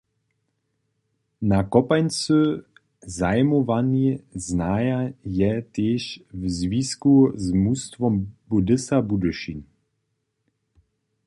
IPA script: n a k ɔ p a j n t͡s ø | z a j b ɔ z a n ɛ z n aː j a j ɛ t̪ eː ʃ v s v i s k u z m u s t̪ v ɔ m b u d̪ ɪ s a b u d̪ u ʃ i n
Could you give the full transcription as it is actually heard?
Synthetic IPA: n a k ɔ p a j n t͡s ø | z a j m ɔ v a n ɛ z n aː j a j ɛ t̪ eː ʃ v z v i s k u z m u s t̪ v ɔ m b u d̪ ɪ s a b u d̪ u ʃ i n